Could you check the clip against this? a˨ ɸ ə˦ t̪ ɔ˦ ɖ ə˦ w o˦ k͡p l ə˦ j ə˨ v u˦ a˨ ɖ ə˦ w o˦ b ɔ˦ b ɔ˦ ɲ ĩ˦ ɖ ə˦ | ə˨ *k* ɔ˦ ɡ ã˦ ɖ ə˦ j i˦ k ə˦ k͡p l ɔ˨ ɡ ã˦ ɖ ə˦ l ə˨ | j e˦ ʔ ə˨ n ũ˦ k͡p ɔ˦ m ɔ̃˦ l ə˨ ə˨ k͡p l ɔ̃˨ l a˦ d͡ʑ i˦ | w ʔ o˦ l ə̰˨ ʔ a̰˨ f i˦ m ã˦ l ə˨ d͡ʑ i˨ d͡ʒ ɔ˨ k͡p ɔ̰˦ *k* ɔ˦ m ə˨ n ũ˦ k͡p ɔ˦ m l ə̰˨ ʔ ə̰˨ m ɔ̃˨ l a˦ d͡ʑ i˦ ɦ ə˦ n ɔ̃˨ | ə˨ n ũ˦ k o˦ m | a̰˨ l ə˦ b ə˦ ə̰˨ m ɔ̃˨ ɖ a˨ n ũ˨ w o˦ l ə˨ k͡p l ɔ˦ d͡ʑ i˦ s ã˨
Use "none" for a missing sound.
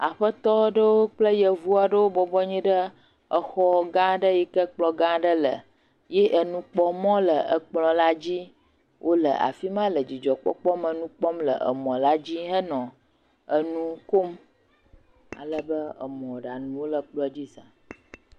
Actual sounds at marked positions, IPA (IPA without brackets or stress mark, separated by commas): x, k͡p